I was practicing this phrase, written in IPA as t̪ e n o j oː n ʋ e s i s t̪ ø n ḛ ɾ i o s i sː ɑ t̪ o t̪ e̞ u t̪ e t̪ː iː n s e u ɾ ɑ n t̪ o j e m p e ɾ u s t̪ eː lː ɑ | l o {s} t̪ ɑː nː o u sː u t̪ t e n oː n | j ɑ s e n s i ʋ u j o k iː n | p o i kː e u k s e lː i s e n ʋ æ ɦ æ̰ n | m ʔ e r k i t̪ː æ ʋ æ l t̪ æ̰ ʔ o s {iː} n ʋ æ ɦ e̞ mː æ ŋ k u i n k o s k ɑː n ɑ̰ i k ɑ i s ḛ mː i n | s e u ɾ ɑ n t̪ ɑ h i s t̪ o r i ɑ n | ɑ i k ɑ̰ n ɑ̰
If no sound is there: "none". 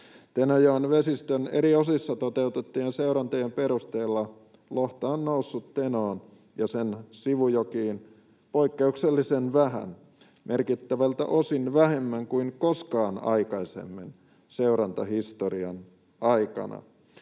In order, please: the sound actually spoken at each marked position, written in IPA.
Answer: h, i

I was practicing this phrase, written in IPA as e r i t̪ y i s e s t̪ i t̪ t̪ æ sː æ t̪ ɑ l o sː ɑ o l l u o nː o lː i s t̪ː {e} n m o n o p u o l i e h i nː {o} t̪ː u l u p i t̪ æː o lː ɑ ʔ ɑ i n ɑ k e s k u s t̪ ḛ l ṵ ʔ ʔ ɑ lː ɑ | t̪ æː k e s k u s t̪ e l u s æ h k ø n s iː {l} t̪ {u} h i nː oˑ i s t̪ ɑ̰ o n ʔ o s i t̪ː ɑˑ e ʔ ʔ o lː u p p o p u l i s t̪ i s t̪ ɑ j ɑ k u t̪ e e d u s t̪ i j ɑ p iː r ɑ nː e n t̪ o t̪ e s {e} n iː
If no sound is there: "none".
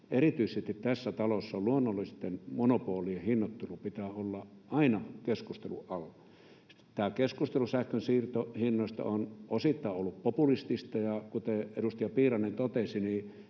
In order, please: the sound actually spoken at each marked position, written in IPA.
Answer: e, o, r, o, i

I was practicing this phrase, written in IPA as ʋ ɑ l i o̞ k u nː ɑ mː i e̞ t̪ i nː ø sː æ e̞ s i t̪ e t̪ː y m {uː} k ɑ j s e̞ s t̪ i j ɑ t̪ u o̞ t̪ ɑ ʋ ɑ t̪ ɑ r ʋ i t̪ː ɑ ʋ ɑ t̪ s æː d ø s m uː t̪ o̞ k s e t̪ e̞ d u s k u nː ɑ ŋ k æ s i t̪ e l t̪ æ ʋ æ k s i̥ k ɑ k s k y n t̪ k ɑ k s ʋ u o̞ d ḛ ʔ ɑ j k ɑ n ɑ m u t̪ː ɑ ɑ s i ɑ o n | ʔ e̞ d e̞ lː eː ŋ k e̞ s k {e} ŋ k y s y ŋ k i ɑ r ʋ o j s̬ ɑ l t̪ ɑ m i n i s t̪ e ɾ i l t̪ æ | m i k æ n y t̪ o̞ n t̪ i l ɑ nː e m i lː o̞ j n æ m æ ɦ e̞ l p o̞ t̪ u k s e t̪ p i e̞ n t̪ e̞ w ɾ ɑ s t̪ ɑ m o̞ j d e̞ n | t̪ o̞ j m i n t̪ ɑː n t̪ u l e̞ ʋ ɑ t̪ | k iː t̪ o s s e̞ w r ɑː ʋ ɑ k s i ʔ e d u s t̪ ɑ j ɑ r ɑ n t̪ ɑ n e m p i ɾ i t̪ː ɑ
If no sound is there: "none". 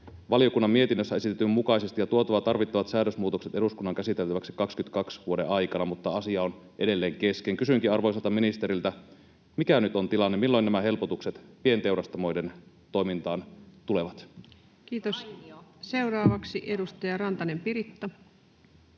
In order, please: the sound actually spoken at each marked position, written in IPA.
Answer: u, e

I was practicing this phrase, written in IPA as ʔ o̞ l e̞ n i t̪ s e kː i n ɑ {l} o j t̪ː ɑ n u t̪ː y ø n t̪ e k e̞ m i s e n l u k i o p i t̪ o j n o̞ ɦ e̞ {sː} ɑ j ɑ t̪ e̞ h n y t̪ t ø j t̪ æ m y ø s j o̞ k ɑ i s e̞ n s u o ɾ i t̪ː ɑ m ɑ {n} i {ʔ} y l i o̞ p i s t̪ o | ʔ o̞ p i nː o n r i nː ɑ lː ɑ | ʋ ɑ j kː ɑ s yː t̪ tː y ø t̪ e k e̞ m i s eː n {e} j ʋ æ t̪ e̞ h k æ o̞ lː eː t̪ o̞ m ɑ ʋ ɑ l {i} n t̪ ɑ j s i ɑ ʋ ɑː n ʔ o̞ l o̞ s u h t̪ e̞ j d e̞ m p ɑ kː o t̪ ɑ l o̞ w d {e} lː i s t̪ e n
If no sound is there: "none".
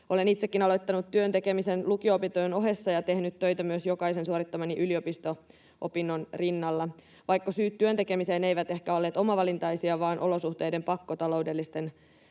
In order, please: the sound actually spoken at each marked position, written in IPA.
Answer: l, sː, n, ʔ, e, i, e

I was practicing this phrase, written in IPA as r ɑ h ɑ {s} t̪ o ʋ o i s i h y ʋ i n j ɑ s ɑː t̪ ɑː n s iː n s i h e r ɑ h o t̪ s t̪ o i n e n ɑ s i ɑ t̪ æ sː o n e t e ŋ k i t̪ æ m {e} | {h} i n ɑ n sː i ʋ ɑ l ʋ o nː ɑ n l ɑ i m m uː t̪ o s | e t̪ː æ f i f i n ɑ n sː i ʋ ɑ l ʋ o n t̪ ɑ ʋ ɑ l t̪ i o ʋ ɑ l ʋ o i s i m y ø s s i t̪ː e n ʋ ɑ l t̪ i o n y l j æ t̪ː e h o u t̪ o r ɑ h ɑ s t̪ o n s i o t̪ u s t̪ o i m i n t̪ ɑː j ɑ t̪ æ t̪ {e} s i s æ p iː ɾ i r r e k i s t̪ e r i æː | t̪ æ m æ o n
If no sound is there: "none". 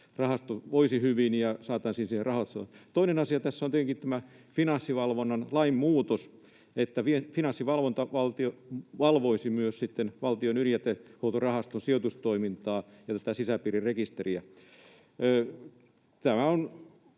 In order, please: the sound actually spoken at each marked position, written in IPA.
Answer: s, æ, f, æ

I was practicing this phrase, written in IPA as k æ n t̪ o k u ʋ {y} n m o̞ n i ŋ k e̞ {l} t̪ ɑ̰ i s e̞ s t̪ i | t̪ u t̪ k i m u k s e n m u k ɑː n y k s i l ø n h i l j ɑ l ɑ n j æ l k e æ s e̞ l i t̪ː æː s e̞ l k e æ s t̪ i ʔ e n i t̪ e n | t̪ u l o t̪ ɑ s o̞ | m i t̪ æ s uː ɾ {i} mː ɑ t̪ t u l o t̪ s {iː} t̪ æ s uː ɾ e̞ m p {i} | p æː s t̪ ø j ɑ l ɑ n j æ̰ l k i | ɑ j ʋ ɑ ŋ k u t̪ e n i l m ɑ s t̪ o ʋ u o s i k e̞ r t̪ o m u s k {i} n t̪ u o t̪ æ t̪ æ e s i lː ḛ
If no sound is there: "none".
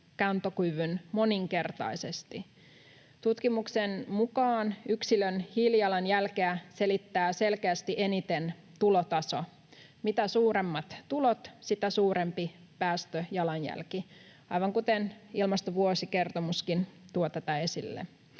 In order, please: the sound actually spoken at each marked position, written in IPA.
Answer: y, r, e, i, i, i

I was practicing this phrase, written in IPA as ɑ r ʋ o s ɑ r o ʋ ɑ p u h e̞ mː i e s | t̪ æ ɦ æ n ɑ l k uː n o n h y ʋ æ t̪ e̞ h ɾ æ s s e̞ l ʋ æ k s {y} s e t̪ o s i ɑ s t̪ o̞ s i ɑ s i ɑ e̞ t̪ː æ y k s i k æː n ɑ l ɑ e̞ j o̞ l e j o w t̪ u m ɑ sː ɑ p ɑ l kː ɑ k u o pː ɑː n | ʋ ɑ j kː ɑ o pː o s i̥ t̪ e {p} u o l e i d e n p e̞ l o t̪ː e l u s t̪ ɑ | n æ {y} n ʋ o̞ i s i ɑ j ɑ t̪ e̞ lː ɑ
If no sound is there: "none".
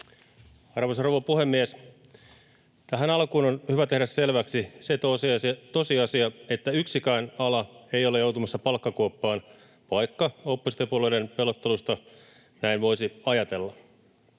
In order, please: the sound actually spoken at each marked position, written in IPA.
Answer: i, p, i

